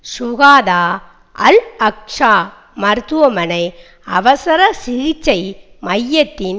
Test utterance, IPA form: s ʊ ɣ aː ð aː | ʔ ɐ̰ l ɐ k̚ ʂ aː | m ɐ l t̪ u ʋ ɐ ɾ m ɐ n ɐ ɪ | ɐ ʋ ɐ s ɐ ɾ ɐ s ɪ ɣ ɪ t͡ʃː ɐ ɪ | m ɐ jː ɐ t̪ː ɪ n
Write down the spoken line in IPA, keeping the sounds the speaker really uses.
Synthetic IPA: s ʊ ɣ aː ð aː | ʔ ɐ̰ l ɐ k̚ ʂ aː | m ɐ ɾ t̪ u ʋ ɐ m ɐ n ɐ ɪ | ɐ ʋ ɐ s ɐ ɾ ɐ s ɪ ɣ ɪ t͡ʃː ɐ ɪ | m ɐ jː ɐ t̪ː ɪ n